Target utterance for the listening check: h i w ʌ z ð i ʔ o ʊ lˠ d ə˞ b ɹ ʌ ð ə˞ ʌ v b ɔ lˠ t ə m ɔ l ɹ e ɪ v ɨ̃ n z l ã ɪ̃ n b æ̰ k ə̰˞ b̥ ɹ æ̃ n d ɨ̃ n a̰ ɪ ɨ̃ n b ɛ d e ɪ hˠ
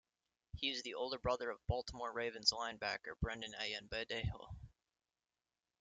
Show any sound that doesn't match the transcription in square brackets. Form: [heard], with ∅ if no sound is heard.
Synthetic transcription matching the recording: h i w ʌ z ð i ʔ o ʊ lˠ d ə˞ b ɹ ʌ ð ə˞ ʌ v b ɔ lˠ t ə m ɔ [ɹ] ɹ e ɪ v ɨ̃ n z l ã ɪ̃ n b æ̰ k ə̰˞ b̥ ɹ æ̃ n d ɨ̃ n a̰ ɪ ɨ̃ n b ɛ d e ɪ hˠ